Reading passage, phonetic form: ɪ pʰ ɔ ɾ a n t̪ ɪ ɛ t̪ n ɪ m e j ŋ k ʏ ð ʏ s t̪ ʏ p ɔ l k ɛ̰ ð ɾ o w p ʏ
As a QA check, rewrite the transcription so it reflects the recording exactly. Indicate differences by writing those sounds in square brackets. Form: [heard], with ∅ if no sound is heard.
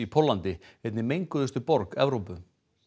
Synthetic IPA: [i] pʰ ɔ [l] a n t̪ ɪ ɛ t̪ n ɪ m e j ŋ k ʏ ð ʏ s t̪ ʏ p ɔ [ɾ] k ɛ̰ [v] ɾ o w p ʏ